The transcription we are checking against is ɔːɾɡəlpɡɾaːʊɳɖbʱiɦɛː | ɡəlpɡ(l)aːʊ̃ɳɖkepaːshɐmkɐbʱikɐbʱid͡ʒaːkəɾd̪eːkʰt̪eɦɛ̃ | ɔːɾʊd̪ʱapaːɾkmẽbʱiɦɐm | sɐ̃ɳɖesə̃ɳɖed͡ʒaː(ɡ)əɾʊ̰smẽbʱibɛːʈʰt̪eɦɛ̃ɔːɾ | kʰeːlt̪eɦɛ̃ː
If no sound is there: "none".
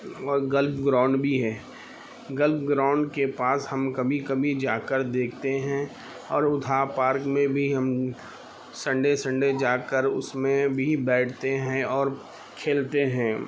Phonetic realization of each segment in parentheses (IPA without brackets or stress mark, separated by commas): ɾ, k